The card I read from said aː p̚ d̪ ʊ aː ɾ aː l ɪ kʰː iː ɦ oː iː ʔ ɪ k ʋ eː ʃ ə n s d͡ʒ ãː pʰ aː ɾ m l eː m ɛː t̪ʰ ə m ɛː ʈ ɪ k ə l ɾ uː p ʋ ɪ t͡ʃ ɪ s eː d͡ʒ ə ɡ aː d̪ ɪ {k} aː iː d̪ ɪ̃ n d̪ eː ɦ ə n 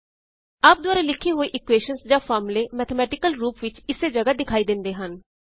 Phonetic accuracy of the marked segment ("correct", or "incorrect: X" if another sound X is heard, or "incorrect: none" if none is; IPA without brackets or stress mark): incorrect: kʰ